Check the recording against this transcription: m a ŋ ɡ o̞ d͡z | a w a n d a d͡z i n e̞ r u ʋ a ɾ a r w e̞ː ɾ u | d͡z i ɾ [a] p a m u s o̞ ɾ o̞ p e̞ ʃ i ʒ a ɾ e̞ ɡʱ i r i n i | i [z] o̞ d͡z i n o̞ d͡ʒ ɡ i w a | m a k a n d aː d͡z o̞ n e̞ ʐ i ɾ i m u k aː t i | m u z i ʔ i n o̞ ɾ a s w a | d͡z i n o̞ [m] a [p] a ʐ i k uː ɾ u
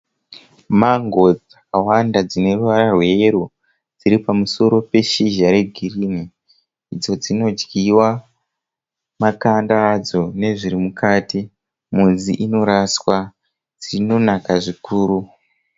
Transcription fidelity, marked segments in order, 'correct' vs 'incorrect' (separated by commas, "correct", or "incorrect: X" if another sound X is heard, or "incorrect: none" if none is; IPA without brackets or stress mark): incorrect: i, incorrect: d͡z, incorrect: n, incorrect: k